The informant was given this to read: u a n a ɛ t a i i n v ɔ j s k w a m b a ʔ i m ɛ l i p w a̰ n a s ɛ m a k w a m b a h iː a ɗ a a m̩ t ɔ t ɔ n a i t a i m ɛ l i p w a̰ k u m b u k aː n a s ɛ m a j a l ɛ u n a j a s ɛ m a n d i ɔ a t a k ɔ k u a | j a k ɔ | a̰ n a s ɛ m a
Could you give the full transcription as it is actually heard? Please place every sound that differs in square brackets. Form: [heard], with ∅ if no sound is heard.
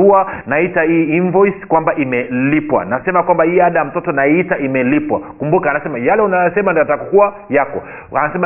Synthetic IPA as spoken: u a n a [i] t a i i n v ɔ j s k w a m b a ʔ i m ɛ l i p w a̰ n a s ɛ m a k w a m b a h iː a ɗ a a m̩ t ɔ t ɔ n a i t a i m ɛ l i p w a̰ k u m b u k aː n a s ɛ m a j a l ɛ u n a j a s ɛ m a n d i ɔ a t a k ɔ k u a | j a k ɔ | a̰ n a s ɛ m a